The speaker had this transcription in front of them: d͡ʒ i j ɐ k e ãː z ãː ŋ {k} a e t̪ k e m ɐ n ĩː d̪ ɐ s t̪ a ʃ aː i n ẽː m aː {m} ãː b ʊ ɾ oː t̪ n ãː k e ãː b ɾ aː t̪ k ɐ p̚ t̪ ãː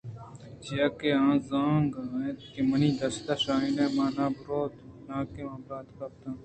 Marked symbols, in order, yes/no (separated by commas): no, no